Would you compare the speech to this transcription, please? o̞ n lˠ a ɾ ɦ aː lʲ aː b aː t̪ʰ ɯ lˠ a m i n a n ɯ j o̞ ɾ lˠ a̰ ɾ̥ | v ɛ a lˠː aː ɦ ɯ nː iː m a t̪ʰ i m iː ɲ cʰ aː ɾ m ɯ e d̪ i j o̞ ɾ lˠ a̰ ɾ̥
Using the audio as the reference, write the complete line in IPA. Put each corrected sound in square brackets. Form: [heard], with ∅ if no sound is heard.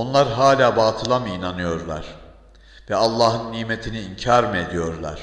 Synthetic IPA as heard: o̞ n lˠ a ɾ ɦ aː lʲ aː b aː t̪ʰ ɯ lˠ a m i n a n ɯ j o̞ ɾ lˠ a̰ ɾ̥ | v ɛ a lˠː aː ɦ ɯ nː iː m [e] t̪ʰ i [n] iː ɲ cʰ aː ɾ m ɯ e d̪ i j o̞ ɾ lˠ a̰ ɾ̥

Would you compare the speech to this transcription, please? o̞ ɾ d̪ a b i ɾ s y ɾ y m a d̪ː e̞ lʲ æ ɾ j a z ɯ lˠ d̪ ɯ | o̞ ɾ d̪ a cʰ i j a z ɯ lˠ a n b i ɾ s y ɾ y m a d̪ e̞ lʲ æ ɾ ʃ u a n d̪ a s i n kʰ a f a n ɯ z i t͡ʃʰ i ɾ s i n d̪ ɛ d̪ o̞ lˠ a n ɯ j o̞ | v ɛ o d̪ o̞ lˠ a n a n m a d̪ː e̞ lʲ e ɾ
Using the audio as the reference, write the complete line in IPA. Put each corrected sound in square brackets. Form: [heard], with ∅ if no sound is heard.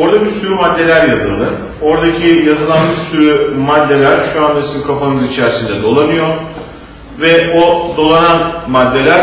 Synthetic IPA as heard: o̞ ɾ d̪ a b i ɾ s y ɾ y m a d̪ː e̞ lʲ æ ɾ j a z ɯ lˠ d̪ ɯ | o̞ ɾ d̪ a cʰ i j a z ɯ lˠ a n b i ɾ s y ɾ y m a [d̪ː] e̞ lʲ æ ɾ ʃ u a n d̪ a s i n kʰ a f a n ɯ z i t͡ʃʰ [æ] ɾ s i n d̪ ɛ d̪ o̞ lˠ a n ɯ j o̞ | v ɛ o d̪ o̞ lˠ a n a n m a d̪ː e̞ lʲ [æ] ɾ

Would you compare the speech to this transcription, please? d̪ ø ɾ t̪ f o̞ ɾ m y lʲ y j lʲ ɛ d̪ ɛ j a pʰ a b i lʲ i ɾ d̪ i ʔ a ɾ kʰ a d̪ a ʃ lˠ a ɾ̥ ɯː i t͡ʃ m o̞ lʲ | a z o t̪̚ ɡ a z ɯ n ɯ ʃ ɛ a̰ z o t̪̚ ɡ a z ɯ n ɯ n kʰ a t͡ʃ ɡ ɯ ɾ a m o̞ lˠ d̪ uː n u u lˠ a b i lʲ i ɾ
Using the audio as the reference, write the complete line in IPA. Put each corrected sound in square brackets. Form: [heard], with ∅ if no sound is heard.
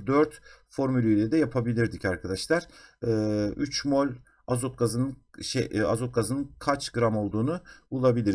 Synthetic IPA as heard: d̪ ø ɾ t̪ f o̞ ɾ m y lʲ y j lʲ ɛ d̪ ɛ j a pʰ a b i lʲ i ɾ d̪ i [c] a ɾ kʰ a d̪ a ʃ lˠ a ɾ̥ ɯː [y] t͡ʃ m o̞ lʲ | a z o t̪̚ ɡ a z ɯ n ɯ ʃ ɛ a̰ z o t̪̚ ɡ a z ɯ n ɯ n kʰ a t͡ʃ ɡ ɯ ɾ a m o̞ lˠ d̪ uː n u u lˠ a b i lʲ i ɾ

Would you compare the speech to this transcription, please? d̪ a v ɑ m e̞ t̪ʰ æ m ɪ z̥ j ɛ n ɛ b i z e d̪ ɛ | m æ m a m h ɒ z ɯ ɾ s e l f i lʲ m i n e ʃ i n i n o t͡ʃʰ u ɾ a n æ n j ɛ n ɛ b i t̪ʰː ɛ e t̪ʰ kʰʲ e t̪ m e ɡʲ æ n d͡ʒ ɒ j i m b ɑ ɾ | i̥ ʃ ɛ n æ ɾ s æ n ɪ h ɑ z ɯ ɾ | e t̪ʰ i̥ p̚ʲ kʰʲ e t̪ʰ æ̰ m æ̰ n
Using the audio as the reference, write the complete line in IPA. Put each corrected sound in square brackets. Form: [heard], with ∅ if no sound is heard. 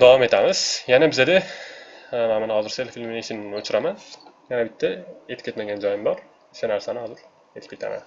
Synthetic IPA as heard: d̪ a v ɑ m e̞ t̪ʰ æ m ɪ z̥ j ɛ n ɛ b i z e d̪ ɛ | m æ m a [n] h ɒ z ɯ ɾ s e l f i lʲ m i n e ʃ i n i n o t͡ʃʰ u ɾ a [m] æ n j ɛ n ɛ b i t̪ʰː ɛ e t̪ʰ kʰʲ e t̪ m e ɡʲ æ n d͡ʒ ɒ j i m b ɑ ɾ | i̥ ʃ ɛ n æ ɾ s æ n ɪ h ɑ z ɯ ɾ | e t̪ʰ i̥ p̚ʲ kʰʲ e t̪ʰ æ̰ m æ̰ n

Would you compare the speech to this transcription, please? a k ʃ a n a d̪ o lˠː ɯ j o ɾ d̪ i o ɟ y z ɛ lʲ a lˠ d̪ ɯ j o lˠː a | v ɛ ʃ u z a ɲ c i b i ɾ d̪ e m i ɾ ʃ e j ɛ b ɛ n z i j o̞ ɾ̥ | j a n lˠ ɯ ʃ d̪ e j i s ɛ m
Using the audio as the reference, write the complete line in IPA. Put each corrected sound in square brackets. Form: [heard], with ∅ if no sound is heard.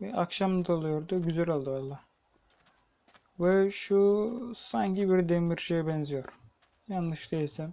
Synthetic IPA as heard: a k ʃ a [m] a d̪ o [lˠ] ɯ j o ɾ d̪ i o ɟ y z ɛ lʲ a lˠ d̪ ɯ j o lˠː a | v ɛ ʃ u [s] a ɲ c i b i ɾ d̪ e m i ɾ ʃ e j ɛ b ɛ n z i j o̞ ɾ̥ | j a n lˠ ɯ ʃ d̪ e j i s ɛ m

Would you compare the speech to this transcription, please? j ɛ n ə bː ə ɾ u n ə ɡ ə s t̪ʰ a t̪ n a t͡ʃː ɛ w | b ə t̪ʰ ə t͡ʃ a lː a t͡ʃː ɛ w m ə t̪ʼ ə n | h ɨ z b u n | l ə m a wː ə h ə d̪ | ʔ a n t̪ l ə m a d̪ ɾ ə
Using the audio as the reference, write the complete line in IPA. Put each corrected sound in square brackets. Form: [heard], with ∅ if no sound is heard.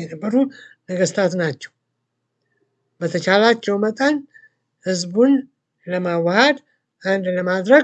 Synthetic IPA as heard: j ɛ n ə bː ə ɾ u n ə ɡ ə s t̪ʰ a t̪ n a t͡ʃː ɛ w | b ə t̪ʰ ə t͡ʃ a [l] a t͡ʃː ɛ w m ə t̪ʼ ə n | h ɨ z b u n | l ə m a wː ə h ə d̪ | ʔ a n [d̪] l ə m a d̪ ɾ ə

